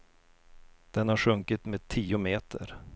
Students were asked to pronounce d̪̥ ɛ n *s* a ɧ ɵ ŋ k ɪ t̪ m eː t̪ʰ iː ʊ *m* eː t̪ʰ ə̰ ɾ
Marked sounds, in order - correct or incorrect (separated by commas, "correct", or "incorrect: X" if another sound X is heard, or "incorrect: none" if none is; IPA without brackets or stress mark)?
incorrect: h, correct